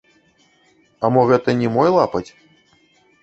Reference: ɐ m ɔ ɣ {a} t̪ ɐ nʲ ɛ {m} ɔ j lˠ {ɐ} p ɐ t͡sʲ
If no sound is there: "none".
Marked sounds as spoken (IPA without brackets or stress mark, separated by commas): ɛ, m, a